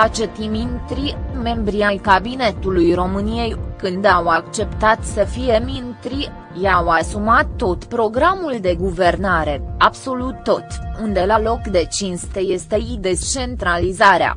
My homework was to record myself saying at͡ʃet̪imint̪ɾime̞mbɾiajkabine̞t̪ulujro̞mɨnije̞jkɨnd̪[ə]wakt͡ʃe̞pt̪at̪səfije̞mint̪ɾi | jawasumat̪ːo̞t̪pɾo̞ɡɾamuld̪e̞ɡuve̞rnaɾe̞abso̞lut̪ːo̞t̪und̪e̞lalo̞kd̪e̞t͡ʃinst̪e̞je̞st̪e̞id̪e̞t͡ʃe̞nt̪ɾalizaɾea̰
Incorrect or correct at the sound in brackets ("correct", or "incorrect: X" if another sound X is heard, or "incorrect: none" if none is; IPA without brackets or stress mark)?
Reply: incorrect: a